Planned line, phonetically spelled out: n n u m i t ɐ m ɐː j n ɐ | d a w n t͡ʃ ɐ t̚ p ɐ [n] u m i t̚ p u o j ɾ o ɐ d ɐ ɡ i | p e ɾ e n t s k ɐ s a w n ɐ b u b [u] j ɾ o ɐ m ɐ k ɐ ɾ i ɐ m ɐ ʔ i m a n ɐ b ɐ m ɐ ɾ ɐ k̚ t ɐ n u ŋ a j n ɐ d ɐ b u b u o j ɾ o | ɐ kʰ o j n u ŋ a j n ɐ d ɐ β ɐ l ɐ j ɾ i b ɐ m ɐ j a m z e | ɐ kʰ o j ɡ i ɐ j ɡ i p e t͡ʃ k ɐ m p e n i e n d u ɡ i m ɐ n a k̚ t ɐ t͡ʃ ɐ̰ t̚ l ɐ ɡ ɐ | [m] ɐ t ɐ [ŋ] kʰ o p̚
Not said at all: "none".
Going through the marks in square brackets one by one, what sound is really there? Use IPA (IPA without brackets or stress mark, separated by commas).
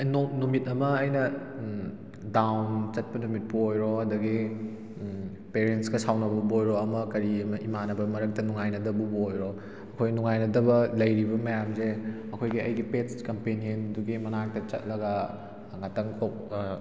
n, o, ŋ, ŋ